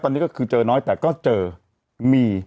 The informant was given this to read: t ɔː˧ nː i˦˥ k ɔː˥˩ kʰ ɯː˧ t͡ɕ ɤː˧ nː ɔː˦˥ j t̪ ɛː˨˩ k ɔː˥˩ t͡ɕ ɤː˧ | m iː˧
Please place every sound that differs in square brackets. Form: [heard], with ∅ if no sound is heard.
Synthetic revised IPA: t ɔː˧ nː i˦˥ k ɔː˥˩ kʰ ɯː˧ t͡ɕ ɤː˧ [n] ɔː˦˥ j t̪ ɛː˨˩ k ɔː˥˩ t͡ɕ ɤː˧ | m iː˧